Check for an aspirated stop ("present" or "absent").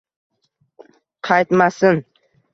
present